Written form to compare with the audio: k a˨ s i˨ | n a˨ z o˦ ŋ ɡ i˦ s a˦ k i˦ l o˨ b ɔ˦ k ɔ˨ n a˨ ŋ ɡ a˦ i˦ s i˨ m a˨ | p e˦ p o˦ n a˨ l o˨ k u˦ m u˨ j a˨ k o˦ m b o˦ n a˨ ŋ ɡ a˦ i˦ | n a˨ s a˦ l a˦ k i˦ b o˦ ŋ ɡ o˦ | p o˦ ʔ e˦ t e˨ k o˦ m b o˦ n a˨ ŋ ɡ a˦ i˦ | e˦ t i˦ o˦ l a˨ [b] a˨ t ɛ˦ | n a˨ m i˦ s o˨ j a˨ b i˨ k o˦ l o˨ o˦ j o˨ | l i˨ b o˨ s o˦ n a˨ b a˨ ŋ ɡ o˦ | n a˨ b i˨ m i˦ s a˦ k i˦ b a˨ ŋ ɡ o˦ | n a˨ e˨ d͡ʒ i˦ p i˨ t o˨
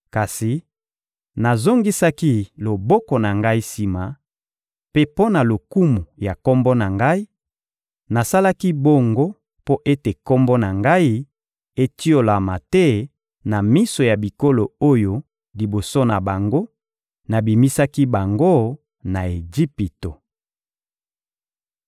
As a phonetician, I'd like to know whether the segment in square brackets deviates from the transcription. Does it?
yes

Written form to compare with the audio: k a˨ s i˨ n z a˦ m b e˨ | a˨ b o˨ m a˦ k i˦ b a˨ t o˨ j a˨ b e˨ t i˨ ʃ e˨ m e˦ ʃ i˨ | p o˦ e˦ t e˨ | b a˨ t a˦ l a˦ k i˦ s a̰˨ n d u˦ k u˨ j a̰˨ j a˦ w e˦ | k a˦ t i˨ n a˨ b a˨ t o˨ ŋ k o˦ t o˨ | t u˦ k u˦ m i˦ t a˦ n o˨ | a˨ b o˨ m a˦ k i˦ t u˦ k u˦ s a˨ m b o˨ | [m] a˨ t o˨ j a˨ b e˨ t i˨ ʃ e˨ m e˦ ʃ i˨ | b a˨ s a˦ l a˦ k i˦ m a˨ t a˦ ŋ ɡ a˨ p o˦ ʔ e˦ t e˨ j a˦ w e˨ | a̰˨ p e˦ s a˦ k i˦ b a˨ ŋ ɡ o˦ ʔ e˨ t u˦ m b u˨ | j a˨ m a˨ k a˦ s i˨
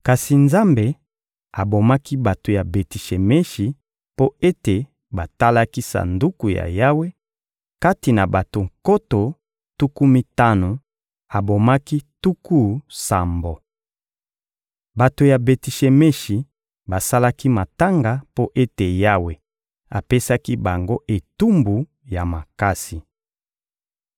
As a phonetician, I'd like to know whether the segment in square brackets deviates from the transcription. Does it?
yes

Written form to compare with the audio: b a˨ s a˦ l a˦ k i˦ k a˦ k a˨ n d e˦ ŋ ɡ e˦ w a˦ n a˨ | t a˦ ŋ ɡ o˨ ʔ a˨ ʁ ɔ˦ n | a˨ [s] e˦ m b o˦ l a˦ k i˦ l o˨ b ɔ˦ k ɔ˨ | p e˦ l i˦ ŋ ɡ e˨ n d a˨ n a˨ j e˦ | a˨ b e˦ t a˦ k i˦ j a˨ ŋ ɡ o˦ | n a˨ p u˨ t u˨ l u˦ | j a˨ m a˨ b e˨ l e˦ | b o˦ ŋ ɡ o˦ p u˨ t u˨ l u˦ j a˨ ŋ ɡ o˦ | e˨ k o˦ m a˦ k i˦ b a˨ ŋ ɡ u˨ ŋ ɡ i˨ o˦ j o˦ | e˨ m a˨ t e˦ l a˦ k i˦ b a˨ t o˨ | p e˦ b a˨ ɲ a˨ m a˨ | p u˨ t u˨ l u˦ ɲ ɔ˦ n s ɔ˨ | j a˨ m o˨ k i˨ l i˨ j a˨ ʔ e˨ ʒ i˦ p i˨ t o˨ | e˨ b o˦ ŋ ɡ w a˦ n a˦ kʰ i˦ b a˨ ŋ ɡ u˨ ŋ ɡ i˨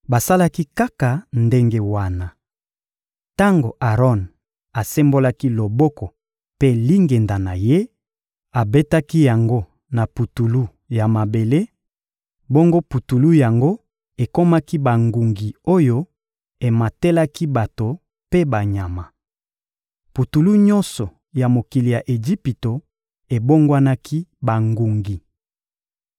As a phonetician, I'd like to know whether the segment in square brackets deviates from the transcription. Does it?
no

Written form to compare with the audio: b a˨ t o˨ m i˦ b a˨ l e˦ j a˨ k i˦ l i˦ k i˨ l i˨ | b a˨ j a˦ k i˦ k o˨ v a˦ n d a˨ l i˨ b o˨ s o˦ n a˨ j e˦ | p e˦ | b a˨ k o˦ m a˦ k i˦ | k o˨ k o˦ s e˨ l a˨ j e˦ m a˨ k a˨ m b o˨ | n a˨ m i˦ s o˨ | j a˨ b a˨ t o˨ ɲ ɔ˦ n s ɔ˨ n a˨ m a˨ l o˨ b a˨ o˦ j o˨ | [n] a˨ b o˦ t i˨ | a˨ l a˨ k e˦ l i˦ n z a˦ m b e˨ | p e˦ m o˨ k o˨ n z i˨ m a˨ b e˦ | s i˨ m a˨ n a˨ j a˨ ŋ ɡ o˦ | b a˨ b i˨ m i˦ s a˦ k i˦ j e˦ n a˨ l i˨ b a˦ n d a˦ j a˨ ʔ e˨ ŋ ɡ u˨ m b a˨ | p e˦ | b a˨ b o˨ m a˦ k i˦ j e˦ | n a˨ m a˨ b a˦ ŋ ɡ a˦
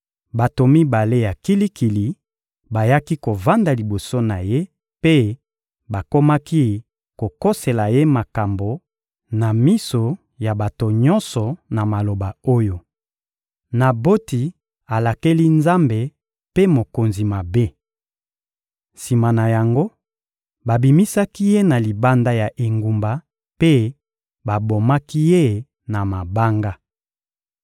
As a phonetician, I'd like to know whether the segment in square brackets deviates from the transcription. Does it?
no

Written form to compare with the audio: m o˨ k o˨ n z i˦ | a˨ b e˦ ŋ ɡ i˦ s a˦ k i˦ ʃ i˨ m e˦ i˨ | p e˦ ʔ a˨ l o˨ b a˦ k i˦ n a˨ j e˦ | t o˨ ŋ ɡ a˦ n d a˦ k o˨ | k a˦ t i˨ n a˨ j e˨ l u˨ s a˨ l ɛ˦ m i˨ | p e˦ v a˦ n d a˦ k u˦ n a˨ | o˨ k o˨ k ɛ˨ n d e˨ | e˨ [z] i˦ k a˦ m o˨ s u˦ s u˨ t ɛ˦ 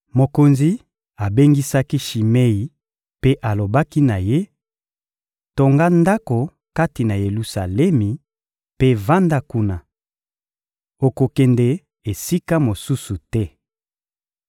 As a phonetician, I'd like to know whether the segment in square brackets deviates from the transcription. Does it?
yes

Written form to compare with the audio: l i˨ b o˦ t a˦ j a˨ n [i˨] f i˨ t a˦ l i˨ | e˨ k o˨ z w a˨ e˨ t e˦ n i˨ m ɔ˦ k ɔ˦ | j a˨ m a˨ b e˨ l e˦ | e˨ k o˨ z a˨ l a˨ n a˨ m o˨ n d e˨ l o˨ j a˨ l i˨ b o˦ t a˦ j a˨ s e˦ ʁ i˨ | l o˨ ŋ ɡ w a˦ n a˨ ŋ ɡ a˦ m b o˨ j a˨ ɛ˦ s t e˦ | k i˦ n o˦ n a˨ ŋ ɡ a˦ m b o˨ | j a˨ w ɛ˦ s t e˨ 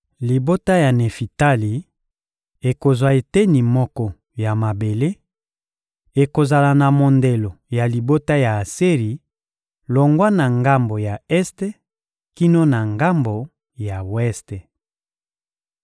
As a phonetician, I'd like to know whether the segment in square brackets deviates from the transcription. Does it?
yes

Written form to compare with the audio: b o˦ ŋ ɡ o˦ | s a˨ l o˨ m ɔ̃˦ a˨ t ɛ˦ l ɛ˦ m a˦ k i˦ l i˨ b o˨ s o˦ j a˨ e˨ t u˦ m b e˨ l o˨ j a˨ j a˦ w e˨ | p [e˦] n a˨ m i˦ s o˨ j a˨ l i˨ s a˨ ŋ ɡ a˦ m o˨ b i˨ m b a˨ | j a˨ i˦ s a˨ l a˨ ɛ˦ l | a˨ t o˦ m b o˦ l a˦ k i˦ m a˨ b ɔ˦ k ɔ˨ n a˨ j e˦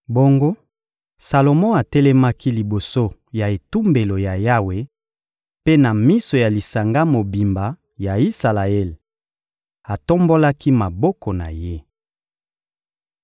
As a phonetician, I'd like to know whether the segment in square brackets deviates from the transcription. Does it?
no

